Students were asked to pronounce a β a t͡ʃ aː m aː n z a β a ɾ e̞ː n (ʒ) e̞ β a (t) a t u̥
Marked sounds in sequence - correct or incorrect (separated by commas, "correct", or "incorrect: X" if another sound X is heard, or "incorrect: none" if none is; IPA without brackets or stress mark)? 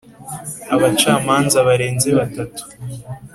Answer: incorrect: z, correct